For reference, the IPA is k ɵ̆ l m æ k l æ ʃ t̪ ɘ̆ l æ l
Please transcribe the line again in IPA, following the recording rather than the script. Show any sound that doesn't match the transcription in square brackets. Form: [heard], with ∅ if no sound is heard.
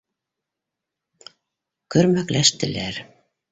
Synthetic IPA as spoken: k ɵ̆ [ɾ] m æ k l æ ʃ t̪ ɘ̆ l æ [ɾ]